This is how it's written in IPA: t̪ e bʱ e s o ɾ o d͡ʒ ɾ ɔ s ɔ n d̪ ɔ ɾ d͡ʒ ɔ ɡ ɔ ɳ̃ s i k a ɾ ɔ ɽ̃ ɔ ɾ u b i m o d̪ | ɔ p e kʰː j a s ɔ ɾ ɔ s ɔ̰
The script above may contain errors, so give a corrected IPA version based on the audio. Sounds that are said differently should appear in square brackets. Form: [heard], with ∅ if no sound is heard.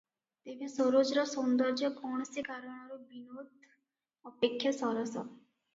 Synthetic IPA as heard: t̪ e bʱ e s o ɾ o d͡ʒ ɾ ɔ s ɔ n d̪ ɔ ɾ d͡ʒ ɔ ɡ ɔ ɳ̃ s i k a ɾ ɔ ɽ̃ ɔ ɾ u b i [n] o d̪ | ɔ p e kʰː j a s ɔ ɾ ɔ s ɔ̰